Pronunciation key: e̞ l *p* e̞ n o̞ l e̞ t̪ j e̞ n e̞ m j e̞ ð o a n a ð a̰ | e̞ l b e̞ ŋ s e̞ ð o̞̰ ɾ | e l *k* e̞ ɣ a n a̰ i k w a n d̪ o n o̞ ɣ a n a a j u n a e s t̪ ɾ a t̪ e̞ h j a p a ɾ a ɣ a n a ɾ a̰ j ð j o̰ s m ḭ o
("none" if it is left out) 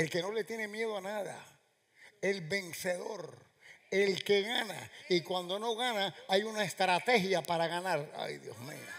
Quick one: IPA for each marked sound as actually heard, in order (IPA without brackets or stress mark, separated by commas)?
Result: k, k